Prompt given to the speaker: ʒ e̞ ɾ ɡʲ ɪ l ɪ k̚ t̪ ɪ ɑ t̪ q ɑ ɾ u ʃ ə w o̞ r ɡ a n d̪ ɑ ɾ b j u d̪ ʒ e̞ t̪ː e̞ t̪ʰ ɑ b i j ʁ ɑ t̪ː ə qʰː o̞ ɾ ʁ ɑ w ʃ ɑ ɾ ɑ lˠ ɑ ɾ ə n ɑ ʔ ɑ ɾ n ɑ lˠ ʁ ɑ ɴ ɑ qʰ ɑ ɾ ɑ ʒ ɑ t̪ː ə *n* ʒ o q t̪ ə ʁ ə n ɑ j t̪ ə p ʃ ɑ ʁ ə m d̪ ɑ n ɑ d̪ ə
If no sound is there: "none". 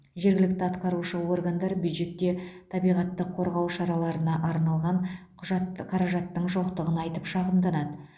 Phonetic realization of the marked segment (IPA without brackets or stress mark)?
ɴ